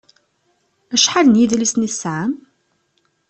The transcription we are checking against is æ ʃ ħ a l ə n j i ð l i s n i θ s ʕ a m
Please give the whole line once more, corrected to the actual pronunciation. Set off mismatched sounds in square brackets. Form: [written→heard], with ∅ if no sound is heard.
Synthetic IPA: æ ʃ ħ a l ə n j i ð l i s n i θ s ʕ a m